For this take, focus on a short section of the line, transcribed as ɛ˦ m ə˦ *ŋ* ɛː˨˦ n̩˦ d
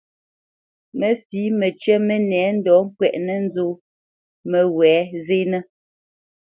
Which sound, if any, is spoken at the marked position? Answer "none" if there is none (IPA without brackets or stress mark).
n